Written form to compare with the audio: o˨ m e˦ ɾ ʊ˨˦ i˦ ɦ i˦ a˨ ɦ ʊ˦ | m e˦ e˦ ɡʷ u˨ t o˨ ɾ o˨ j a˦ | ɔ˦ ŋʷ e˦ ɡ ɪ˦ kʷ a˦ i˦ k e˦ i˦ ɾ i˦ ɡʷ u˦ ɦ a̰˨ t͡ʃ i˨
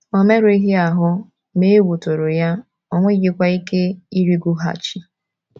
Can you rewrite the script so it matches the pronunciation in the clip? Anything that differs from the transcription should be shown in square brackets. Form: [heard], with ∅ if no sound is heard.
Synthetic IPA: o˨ m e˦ ɾ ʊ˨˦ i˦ ɦ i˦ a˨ ɦ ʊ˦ | m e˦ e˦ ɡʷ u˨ t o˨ ɾ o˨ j a˦ | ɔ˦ ŋʷ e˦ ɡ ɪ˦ kʷ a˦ i˦ k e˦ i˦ ɾ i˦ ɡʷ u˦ ɦ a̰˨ t͡ʃ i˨